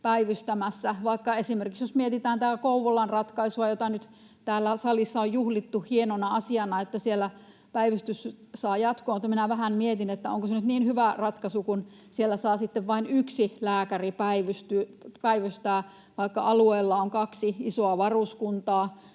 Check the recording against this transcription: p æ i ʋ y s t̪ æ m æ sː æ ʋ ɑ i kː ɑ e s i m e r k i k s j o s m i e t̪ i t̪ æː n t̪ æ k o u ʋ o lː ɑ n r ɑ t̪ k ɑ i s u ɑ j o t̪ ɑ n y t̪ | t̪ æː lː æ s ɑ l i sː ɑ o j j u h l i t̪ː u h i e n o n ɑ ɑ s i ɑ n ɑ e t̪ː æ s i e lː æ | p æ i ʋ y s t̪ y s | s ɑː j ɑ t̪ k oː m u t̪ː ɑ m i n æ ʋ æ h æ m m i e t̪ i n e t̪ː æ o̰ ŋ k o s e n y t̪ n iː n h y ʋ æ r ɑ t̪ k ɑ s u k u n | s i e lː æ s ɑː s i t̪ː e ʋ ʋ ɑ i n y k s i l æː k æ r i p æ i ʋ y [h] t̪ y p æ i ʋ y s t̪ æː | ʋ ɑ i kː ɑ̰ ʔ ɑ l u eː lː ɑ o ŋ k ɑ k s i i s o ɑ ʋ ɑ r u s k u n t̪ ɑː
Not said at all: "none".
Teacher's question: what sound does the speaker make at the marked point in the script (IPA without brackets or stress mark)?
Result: s